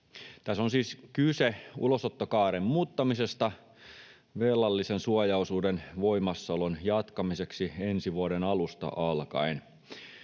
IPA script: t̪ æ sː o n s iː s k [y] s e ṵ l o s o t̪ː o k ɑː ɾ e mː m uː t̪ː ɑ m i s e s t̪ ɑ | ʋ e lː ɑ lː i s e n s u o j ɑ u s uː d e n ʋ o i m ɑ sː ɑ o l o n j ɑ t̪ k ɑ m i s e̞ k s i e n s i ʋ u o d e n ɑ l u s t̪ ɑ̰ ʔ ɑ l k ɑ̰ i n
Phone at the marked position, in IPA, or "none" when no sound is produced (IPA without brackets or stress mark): y